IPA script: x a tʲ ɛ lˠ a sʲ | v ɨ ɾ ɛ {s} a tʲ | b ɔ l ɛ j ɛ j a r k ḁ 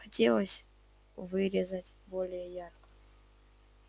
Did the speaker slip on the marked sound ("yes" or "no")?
yes